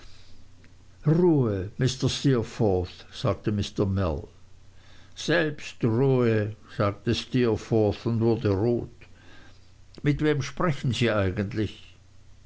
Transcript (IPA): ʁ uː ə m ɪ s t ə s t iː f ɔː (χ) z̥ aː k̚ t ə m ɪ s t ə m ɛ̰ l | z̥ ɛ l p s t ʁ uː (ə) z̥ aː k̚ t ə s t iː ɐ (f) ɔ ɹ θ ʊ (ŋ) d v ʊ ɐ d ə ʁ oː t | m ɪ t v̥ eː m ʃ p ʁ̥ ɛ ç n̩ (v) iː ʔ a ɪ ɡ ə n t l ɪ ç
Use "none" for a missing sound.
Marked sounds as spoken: θ, ə, f, n, z

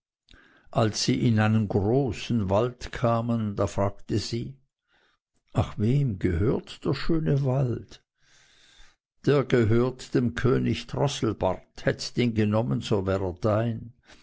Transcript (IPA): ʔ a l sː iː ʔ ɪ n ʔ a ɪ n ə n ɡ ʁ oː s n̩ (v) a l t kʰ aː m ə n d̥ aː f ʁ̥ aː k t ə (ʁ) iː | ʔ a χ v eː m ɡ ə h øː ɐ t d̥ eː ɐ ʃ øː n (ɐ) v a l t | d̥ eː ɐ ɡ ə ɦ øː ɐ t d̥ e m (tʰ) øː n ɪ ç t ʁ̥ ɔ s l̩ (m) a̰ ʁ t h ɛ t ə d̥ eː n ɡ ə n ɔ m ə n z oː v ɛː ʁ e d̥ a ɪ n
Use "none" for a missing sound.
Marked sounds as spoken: v, z, ə, kʰ, b

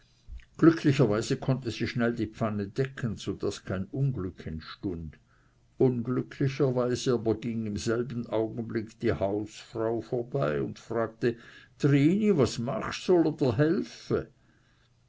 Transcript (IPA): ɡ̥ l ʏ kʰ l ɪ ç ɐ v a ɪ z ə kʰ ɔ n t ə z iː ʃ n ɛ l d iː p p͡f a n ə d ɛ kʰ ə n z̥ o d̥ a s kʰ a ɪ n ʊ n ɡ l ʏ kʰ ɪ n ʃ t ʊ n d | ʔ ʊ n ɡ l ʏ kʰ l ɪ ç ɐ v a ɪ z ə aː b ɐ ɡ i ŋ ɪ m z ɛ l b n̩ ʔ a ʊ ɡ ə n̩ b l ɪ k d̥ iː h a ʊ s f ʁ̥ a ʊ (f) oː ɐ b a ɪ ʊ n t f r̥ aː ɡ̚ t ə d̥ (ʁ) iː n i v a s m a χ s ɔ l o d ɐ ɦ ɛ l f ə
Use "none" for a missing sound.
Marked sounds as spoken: f, ʁ

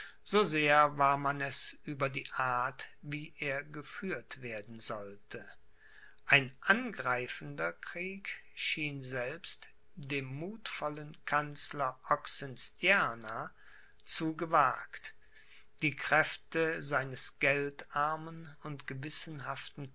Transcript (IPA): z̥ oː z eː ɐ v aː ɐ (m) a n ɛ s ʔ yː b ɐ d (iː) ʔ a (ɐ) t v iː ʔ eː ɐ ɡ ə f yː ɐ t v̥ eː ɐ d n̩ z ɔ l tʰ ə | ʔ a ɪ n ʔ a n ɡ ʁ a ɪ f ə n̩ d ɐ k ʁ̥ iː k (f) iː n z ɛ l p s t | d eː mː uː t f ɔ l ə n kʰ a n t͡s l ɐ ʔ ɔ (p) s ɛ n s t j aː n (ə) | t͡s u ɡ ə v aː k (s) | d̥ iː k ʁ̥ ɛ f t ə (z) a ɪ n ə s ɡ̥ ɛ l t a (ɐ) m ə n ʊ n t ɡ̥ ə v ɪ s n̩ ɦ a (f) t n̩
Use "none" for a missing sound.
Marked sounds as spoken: m, iː, ɐ, ʃ, k, a, t, z, ɐ, f

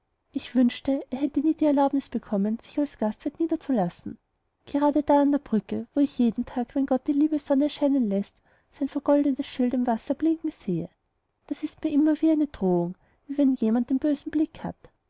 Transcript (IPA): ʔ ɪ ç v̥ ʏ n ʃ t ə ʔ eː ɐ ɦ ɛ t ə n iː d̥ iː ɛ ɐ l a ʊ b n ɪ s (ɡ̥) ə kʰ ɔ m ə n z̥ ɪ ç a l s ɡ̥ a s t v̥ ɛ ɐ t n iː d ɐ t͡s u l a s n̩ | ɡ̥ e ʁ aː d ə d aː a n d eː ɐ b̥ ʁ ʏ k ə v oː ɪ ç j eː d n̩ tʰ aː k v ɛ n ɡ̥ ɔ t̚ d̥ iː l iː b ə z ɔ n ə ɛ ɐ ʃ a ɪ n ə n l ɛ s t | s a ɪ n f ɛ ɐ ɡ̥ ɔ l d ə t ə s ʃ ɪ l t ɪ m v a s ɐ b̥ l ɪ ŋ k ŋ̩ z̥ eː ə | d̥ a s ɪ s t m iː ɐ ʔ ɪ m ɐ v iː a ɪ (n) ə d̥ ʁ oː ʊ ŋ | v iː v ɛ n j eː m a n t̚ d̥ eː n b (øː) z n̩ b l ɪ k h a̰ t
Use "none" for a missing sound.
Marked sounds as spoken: b̥, n, øː

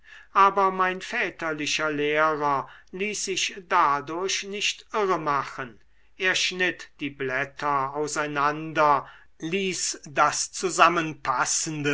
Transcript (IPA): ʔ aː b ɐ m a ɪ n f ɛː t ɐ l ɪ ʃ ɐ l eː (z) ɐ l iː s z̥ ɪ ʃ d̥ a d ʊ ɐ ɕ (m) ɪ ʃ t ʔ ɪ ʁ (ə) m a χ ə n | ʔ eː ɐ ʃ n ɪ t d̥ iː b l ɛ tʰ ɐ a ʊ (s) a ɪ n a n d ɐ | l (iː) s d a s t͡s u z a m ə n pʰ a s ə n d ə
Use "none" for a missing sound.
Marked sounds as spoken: ʁ, n, ə, s, iː

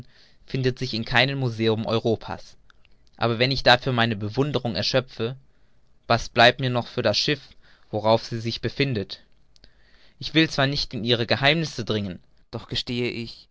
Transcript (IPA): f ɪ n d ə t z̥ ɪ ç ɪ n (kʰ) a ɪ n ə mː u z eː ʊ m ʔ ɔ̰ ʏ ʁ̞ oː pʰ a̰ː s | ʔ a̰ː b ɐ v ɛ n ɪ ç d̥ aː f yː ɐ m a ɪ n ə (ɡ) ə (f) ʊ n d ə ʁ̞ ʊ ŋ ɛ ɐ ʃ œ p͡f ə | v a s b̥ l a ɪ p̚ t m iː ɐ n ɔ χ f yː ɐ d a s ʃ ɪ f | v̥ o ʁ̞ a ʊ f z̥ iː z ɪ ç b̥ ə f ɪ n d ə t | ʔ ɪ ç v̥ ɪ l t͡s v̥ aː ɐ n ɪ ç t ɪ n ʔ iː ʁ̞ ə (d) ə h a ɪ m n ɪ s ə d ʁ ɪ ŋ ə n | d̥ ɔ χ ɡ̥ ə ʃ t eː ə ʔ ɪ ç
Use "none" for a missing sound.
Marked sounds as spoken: kʰ, b, v, ɡ

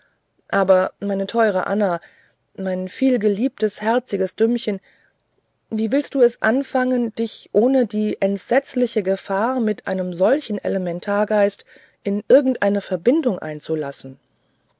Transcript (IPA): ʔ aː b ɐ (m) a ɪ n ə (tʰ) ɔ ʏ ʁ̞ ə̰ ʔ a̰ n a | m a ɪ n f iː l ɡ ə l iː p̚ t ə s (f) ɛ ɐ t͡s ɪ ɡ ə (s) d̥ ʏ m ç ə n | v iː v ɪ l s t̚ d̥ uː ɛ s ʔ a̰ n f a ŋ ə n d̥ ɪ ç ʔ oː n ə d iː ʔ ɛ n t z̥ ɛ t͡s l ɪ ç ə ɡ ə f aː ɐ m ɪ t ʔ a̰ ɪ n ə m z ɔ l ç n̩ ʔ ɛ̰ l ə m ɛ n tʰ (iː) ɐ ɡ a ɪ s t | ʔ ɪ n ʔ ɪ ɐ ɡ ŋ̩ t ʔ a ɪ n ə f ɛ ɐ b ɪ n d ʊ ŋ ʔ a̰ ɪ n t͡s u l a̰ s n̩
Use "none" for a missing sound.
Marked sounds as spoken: m, tʰ, h, s, aː

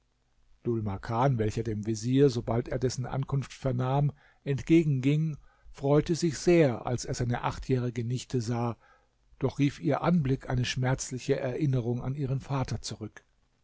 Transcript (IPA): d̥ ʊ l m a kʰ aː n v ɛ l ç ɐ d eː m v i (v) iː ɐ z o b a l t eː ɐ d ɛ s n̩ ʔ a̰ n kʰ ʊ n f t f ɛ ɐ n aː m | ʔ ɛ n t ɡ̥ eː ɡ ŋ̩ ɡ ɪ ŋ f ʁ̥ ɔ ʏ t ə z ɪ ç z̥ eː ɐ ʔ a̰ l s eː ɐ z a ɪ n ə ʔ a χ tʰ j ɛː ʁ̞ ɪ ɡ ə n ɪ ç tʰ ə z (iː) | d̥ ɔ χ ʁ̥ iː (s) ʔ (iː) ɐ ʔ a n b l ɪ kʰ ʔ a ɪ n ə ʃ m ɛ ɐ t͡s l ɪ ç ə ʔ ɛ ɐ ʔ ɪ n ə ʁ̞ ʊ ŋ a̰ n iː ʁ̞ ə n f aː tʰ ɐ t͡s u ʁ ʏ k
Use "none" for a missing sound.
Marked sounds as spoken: z, aː, f, iː

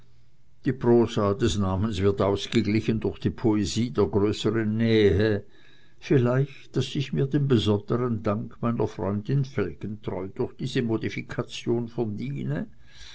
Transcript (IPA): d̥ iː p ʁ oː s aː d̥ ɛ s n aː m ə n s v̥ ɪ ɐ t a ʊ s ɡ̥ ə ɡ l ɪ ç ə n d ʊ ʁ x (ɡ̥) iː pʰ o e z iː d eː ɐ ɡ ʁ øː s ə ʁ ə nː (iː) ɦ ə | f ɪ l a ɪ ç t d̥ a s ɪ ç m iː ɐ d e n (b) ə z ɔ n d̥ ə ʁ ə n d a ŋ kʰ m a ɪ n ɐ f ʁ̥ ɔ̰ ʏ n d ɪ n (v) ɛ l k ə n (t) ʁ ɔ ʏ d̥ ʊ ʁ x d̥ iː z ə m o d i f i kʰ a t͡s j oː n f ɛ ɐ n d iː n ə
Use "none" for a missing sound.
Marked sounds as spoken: d̥, ɛː, b, f, t

